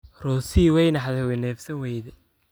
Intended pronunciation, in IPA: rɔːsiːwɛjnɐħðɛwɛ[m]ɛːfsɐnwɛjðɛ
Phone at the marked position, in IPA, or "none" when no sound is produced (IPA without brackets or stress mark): n